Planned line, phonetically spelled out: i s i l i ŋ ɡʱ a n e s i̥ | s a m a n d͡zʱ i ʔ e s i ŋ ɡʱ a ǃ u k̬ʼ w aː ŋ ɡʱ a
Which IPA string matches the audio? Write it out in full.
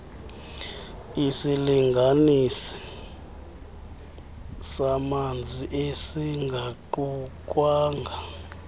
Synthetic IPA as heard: i s i l i ŋ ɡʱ a n i s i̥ | s a m a n d͡zʱ i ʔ e s i ŋ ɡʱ a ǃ u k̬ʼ w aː ŋ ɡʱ a